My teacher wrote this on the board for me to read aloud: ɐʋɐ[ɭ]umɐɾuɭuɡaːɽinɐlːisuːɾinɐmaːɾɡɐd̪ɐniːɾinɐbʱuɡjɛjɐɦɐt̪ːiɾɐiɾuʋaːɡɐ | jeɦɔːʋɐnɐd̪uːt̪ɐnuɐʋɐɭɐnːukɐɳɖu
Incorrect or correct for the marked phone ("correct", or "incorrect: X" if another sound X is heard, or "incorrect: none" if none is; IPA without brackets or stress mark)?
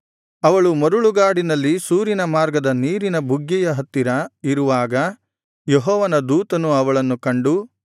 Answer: correct